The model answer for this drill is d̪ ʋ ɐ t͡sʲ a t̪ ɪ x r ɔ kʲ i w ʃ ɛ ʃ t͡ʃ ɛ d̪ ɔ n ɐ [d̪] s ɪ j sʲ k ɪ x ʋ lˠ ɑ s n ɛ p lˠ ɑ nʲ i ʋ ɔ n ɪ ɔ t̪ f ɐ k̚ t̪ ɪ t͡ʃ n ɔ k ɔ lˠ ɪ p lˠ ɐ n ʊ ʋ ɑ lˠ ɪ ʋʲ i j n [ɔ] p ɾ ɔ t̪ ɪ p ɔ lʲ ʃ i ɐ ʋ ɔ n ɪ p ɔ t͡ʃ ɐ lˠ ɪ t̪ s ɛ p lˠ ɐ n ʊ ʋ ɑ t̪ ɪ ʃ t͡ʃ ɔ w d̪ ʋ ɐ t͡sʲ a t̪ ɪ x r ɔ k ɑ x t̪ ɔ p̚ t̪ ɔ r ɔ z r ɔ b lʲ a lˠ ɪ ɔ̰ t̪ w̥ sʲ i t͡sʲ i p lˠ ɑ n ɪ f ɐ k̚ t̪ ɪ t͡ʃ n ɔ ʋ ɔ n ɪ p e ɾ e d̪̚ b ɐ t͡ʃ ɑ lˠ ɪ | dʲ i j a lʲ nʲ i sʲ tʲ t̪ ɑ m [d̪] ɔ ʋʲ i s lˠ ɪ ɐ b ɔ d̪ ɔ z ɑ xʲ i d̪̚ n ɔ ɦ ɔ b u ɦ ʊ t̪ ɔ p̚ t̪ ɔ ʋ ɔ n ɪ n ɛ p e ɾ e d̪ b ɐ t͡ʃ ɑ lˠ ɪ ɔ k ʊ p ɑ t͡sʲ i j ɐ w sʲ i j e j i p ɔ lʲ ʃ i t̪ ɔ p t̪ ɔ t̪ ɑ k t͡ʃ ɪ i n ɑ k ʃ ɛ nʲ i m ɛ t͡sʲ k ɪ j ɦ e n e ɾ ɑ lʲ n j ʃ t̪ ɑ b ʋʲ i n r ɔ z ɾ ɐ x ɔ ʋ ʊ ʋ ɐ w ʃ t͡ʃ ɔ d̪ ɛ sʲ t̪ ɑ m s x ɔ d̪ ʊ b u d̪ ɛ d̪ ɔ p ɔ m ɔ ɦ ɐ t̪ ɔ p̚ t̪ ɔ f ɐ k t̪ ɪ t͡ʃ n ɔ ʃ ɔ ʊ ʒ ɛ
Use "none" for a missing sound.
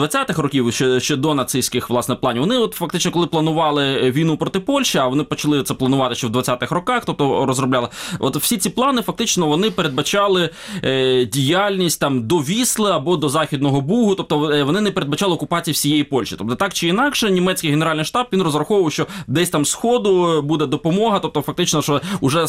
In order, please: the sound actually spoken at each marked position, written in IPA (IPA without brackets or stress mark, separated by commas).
t̪, u, d̪